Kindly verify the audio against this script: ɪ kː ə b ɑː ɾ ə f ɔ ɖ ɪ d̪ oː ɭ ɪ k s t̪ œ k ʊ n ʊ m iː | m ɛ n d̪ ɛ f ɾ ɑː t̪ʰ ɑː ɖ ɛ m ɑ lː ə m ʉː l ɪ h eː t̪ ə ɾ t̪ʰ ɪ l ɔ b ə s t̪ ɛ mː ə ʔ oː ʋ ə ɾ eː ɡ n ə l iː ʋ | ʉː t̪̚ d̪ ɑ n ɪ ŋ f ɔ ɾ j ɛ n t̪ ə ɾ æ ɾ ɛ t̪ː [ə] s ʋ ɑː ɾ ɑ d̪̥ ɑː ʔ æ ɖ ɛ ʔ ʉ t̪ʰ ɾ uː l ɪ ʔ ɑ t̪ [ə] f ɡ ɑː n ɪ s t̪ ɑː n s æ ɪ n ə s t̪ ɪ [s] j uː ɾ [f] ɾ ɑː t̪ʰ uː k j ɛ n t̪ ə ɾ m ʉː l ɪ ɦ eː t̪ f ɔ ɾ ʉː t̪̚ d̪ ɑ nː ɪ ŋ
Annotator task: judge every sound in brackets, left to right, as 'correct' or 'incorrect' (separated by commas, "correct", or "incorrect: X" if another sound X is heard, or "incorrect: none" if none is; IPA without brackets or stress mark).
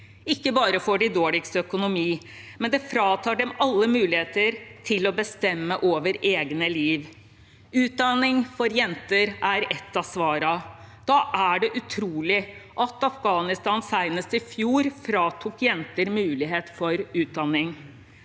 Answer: incorrect: ɑ, incorrect: ɑ, incorrect: f, correct